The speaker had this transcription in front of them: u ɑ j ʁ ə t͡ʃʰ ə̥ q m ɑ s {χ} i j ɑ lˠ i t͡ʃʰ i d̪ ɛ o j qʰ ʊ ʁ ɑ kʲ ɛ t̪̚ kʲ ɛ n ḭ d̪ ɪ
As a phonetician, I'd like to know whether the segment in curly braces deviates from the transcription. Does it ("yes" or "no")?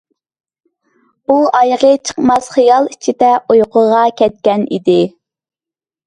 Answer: no